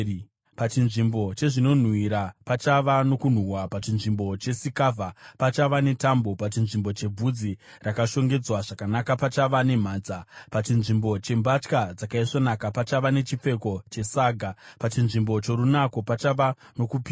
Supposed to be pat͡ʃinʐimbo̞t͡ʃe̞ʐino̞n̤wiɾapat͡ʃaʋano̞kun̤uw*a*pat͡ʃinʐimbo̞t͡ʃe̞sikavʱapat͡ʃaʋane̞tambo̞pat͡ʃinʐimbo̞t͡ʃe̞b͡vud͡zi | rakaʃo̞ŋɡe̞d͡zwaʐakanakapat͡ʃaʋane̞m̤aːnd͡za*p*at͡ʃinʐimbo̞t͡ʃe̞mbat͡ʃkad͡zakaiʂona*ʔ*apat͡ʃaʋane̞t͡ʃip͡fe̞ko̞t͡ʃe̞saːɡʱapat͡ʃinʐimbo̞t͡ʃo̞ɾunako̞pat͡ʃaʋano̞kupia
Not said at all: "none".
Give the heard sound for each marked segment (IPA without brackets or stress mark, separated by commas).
a, p, k